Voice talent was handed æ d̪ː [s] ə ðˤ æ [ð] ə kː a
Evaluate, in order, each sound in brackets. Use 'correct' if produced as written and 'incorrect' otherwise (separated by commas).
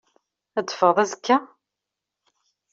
incorrect, incorrect